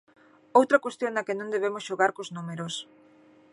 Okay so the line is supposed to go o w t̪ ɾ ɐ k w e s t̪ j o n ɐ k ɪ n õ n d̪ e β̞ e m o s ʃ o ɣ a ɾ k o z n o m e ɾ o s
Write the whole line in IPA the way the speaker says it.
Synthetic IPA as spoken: o w t̪ ɾ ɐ k w e s t̪ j o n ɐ k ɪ n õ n d̪ e β̞ e m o s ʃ o ɣ a ɾ k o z n u m e ɾ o s